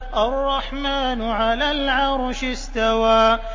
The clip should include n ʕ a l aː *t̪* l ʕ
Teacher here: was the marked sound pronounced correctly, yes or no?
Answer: no